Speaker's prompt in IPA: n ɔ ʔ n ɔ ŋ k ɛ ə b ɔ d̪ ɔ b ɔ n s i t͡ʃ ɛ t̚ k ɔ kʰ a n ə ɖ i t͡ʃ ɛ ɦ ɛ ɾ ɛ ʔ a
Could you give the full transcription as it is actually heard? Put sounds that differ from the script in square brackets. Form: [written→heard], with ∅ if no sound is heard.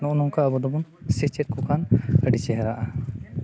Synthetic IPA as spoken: n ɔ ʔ n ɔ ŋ k [ɛ→a] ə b ɔ d̪ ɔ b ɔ n s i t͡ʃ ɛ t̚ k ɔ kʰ a n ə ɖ i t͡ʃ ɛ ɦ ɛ ɾ [ɛ→a] ʔ a